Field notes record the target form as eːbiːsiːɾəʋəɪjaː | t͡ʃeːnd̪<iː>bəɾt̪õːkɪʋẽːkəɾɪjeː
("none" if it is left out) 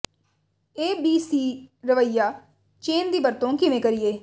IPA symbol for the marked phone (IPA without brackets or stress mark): iː